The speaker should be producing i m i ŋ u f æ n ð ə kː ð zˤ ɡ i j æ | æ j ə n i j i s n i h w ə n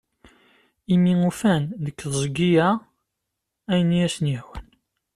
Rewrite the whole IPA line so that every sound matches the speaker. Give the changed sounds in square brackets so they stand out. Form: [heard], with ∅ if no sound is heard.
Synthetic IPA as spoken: i m i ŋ u f æ n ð ə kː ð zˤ ɡ i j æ | æ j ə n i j [æ] s n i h w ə n